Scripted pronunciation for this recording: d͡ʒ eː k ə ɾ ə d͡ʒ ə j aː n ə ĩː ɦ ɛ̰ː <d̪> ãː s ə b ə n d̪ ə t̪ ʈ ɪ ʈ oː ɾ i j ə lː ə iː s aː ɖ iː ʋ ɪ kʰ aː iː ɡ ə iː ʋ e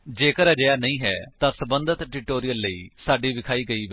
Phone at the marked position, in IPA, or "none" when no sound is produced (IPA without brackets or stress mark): t̪